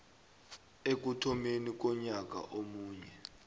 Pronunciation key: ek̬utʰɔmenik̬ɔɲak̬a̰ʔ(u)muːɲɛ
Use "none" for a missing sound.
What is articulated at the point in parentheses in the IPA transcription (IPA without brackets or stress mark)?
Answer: o